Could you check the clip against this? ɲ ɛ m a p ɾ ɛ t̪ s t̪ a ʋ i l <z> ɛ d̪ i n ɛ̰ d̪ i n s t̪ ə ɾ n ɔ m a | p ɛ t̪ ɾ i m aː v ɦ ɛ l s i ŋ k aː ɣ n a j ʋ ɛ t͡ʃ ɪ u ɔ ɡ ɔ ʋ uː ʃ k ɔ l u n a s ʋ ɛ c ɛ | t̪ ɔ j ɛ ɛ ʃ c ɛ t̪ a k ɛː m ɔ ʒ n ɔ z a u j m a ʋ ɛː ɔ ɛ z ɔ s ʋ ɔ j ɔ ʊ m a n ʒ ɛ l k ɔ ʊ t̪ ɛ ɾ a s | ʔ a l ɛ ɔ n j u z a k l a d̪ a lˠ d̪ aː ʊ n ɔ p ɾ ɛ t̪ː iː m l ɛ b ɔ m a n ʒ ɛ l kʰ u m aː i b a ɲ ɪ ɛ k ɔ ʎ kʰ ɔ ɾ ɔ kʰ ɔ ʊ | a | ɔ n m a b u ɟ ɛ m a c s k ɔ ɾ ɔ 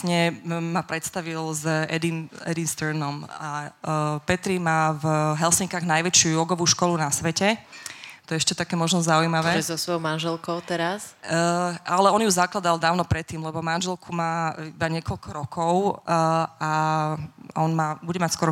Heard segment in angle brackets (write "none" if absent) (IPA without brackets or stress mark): z